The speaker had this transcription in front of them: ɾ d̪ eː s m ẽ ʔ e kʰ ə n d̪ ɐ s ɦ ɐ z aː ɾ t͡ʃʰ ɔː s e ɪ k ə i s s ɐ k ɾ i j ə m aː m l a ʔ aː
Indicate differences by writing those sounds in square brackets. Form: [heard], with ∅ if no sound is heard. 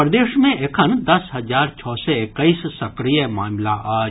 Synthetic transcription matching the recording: ɾ d̪ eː [ʃ] m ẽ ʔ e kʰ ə n d̪ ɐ s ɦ ɐ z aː ɾ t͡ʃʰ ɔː s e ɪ k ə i s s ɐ k ɾ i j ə m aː m l a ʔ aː